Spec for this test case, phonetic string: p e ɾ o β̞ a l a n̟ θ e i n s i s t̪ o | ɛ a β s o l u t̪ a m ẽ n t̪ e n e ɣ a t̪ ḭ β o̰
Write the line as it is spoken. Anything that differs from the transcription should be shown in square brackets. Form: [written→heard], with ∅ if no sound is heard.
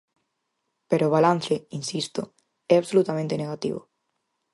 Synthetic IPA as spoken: p e ɾ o β̞ a l a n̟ θ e i n s i s t̪ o | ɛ a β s o l u t̪ a m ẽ n t̪ e n e ɣ a t̪ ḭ β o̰